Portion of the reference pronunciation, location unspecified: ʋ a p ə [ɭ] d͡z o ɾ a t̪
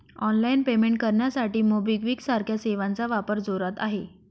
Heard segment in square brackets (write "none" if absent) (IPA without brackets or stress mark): ɾ